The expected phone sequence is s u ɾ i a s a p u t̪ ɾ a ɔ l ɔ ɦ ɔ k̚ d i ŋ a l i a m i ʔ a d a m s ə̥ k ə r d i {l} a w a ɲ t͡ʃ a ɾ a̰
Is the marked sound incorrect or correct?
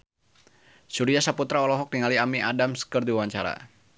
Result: incorrect: none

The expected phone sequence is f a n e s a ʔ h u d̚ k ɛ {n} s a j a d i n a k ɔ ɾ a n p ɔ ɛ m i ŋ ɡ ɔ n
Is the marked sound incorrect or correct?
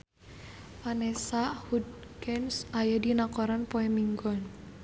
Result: correct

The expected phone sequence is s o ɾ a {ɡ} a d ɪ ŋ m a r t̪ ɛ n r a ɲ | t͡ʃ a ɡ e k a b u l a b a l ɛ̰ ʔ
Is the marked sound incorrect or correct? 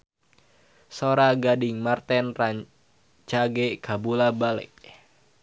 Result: correct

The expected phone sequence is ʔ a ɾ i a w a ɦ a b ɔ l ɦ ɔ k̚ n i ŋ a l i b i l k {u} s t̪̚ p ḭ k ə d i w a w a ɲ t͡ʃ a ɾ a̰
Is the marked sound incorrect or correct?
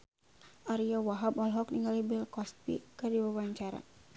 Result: incorrect: ɔ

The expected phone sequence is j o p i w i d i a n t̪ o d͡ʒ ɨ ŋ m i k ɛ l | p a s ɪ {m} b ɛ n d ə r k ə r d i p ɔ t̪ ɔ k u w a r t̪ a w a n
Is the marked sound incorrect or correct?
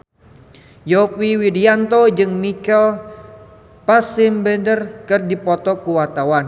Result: correct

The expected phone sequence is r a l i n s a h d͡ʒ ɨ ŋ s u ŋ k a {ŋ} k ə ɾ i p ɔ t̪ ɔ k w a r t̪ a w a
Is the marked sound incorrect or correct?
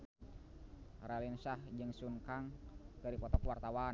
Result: correct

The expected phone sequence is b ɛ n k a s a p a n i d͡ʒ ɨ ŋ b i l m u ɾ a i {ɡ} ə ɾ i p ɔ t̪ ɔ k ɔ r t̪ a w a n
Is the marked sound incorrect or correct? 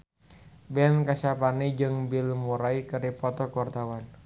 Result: incorrect: k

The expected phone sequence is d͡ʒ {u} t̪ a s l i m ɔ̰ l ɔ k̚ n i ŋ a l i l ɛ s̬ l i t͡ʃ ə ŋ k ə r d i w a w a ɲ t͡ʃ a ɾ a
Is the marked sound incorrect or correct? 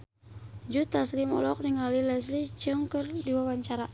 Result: correct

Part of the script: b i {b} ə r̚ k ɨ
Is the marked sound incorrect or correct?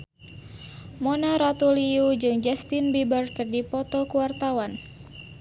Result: correct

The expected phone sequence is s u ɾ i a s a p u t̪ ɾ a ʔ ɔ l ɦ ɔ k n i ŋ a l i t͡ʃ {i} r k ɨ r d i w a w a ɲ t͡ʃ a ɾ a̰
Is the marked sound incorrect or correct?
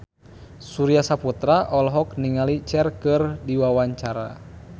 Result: incorrect: ɛ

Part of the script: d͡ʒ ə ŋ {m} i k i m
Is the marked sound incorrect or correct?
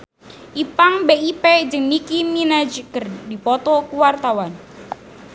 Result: incorrect: n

